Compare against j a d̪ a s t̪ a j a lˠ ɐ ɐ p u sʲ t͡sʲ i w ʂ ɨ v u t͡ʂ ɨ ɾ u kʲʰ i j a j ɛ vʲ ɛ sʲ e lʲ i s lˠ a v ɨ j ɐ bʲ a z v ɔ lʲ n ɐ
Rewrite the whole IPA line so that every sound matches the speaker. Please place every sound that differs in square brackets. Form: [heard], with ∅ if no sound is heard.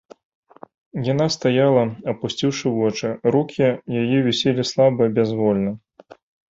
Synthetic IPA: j a [n̪] a s t̪ a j a lˠ ɐ ɐ p u sʲ t͡sʲ i w ʂ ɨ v [ɔ] t͡ʂ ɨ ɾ u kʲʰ i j a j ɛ vʲ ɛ sʲ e lʲ i s lˠ a [b] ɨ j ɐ bʲ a z v ɔ lʲ n ɐ